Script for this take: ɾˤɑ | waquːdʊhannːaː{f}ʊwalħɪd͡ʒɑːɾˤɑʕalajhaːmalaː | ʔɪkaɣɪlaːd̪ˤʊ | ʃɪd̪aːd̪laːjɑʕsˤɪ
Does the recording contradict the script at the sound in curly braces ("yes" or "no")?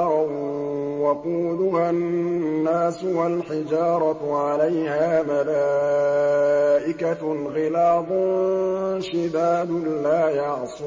yes